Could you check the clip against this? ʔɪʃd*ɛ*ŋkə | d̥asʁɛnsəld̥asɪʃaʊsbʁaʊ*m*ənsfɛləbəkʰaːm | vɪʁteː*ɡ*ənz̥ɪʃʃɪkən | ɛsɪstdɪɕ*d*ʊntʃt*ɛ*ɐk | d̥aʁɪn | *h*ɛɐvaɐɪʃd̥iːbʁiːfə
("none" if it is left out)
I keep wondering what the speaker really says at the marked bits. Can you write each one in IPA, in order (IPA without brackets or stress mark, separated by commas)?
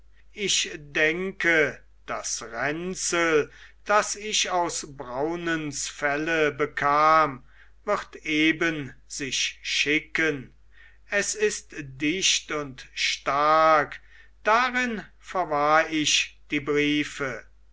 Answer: ɛ, n, b, t, a, f